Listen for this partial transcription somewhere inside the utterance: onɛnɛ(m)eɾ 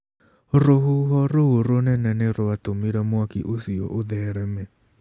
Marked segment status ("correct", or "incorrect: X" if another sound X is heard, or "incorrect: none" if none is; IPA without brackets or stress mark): incorrect: n